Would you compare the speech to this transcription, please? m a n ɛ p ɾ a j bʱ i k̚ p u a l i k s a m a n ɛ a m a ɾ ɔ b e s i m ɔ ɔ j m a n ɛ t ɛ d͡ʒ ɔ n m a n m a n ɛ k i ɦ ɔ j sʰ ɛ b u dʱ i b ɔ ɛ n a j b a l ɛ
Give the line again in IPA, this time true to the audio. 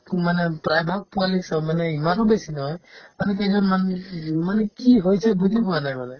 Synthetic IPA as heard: m a n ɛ p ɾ a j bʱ a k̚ p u a l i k s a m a n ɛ i m a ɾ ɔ b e s i n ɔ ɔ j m a n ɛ k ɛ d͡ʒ ɔ n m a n m a n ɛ k i ɦ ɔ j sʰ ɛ b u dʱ i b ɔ a n a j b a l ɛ